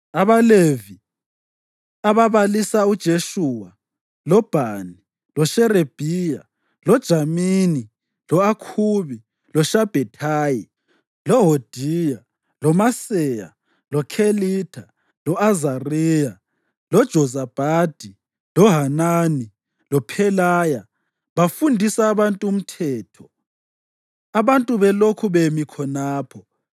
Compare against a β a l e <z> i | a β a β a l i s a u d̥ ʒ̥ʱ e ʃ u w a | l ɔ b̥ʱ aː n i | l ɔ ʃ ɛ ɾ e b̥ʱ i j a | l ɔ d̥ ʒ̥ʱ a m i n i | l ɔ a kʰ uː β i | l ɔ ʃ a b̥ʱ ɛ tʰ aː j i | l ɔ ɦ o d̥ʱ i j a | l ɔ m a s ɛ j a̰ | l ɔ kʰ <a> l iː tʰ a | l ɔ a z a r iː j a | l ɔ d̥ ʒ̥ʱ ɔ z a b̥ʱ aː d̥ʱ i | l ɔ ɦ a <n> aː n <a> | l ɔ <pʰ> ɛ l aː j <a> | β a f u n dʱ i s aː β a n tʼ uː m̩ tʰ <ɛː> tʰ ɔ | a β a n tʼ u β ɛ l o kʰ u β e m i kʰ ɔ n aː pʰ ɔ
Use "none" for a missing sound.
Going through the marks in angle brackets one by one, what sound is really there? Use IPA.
v, e, n, i, pʰ, a, ɛː

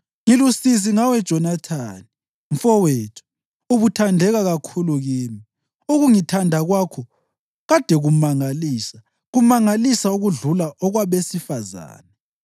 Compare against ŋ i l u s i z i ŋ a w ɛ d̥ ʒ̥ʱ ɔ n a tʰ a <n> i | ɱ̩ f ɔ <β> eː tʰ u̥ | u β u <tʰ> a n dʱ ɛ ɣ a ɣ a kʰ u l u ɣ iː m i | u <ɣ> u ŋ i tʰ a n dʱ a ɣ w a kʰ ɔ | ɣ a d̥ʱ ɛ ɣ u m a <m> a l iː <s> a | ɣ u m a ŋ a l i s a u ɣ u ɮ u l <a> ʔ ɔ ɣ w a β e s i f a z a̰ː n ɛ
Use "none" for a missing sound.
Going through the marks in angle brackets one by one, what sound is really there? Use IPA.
n, w, tʰ, ɣ, ŋ, s, a

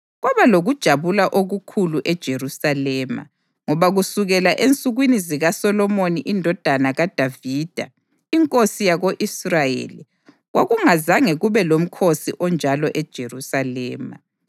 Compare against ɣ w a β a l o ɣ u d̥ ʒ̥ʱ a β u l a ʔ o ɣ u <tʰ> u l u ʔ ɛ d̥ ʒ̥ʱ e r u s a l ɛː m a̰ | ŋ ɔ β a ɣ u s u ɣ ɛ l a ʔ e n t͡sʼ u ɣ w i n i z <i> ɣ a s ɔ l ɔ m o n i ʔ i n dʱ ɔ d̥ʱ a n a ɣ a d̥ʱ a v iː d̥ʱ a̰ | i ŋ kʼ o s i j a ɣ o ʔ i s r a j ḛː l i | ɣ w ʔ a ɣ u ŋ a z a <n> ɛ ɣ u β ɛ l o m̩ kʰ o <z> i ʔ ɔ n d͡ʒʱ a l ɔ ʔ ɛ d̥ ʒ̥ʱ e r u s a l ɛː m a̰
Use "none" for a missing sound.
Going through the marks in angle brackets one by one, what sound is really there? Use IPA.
kʰ, i, ŋ, s

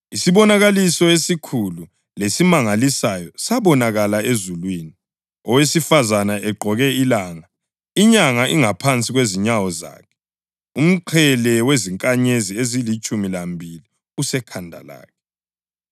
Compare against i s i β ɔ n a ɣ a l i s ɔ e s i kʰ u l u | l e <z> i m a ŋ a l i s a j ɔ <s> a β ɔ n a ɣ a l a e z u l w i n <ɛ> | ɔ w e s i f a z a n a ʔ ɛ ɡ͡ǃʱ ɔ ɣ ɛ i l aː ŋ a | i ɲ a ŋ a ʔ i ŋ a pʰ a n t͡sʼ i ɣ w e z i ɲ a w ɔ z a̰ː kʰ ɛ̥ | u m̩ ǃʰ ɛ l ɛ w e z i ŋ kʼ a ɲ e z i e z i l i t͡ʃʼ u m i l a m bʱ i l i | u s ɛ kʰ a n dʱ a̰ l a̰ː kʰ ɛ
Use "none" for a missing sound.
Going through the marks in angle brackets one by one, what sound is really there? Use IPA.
s, s, i

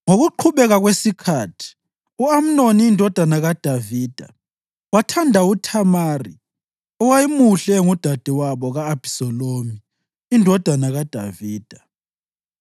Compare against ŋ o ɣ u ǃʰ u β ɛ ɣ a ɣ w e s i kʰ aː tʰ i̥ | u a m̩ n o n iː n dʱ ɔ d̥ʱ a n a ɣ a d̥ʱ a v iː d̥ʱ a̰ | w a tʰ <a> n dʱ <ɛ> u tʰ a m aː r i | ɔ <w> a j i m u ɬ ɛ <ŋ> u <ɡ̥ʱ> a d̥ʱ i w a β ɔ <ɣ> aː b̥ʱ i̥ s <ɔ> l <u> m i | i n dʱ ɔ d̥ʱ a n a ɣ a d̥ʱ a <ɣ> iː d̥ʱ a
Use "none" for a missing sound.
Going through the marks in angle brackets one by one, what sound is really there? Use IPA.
a, a, w, ŋ, d̥ʱ, ɣ, ɔ, o, v

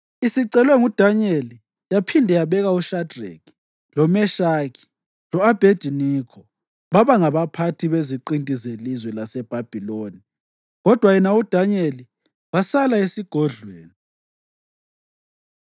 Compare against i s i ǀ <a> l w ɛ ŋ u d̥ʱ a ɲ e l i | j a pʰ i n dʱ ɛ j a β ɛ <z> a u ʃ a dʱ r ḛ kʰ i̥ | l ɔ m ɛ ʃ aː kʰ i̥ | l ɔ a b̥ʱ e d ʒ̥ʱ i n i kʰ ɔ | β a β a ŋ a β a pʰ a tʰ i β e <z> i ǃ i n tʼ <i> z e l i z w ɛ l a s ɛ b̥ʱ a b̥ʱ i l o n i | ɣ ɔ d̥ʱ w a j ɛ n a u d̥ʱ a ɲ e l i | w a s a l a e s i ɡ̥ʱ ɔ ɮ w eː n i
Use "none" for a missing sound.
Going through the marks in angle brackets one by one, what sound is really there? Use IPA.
ɛ, ɣ, z, i

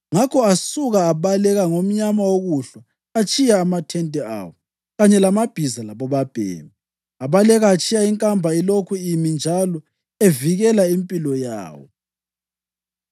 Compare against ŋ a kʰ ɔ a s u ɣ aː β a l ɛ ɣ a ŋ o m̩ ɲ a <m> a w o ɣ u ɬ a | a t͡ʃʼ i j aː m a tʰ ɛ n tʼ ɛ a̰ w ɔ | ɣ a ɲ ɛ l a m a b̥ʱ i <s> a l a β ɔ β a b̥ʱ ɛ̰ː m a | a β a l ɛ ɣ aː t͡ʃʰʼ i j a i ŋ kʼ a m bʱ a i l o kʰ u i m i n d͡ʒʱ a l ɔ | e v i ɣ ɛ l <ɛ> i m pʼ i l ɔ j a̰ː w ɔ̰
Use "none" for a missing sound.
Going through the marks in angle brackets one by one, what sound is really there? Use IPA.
m, z, a

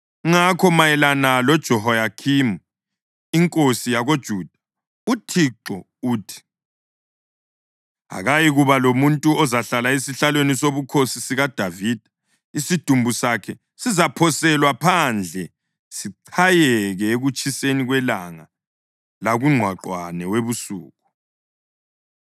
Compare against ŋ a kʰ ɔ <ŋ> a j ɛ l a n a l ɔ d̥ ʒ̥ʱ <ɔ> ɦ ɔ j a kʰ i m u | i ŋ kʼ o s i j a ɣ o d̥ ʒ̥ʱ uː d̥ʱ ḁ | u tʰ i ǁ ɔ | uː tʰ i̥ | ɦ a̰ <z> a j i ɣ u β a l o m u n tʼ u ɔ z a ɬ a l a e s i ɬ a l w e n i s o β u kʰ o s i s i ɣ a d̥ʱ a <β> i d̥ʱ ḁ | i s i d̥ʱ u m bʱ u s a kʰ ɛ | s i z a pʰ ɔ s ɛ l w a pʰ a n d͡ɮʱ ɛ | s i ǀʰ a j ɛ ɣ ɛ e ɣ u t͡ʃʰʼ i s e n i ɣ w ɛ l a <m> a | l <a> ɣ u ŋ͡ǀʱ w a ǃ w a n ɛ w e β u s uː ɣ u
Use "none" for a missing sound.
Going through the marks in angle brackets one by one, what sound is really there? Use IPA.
m, ɔ, ɣ, v, ŋ, a

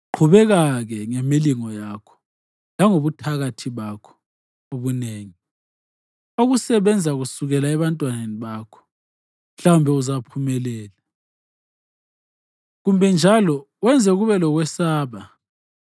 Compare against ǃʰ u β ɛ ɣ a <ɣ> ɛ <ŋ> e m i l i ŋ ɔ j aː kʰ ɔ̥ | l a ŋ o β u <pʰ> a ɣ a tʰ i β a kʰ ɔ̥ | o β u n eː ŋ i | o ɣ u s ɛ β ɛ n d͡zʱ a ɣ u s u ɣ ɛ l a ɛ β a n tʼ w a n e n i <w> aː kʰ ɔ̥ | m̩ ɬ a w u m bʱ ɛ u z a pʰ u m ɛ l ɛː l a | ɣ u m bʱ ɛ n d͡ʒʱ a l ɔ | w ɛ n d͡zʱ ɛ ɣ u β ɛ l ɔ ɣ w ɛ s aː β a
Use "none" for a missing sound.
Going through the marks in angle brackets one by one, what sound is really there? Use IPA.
ɣ, ŋ, tʰ, β

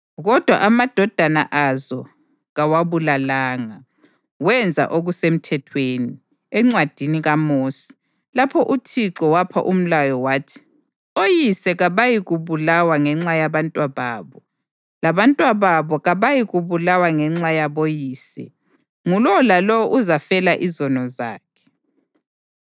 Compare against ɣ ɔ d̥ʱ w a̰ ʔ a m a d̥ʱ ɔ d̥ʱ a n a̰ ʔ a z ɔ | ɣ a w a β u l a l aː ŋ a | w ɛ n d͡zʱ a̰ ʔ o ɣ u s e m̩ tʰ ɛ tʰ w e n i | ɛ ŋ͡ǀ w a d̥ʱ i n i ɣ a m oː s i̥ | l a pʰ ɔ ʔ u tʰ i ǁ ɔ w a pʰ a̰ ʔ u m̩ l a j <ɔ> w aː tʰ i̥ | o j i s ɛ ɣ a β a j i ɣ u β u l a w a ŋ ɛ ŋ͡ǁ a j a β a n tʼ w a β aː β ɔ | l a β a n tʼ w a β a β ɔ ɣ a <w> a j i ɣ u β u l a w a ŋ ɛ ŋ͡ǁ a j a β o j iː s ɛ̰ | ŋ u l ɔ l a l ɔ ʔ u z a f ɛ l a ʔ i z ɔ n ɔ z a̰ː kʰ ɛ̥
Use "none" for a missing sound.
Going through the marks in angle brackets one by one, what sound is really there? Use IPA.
ɔ, β

